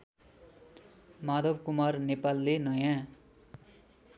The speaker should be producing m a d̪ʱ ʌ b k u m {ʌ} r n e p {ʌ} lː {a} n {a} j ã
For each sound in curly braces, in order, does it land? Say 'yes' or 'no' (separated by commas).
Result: no, no, no, no